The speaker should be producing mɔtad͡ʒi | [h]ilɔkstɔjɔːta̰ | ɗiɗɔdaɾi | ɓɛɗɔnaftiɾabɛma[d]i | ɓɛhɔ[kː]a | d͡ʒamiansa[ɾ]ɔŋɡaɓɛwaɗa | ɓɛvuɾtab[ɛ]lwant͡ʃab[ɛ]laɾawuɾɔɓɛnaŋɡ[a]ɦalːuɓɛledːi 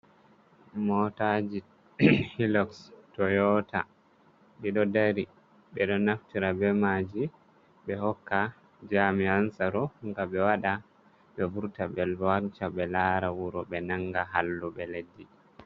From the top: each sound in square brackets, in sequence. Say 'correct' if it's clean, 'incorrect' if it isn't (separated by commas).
correct, incorrect, correct, correct, correct, correct, correct